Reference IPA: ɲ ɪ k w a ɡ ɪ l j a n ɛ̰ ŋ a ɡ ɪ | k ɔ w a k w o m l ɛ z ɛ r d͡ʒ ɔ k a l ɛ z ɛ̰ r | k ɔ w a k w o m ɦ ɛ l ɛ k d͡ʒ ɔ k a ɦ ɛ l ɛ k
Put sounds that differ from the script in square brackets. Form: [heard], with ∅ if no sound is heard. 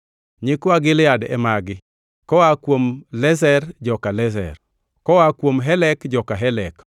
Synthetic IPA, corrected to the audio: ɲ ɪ k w a ɡ ɪ l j a [d] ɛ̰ [m] a ɡ ɪ | k ɔ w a k w o m l ɛ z ɛ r d͡ʒ ɔ k a l ɛ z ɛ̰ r | k ɔ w a k w o m ɦ ɛ l ɛ k d͡ʒ ɔ k a ɦ ɛ l ɛ k